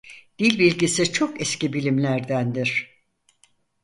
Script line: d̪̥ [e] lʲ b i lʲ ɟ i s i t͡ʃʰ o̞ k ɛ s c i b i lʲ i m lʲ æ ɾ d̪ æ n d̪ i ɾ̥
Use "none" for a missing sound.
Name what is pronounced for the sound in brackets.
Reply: i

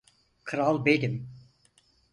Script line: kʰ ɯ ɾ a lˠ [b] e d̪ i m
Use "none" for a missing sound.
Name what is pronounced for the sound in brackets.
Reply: b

